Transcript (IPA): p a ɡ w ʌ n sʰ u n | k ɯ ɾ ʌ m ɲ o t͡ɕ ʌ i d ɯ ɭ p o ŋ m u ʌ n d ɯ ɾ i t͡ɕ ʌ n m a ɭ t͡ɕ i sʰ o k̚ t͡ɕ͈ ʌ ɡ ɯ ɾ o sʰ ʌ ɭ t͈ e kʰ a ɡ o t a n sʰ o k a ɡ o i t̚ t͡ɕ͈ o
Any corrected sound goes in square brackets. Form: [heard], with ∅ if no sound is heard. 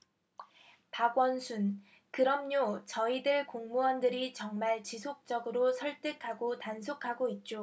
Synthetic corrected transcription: p a ɡ w ʌ n sʰ u n | k ɯ ɾ ʌ m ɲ o t͡ɕ ʌ i d ɯ ɭ [k] o ŋ m u ʌ n d ɯ ɾ i t͡ɕ ʌ [ŋ] m a ɭ t͡ɕ i sʰ o k̚ t͡ɕ͈ ʌ ɡ ɯ ɾ o sʰ ʌ ɭ t͈ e kʰ a ɡ o t a n sʰ o [kʰ] a ɡ o i t̚ t͡ɕ͈ o